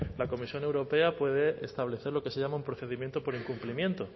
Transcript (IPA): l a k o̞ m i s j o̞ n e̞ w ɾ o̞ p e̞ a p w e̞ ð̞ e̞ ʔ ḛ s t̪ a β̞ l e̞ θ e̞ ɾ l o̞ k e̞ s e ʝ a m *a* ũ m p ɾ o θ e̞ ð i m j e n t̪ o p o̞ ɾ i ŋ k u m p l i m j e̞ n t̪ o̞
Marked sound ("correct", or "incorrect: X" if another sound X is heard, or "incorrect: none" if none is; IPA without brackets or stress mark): correct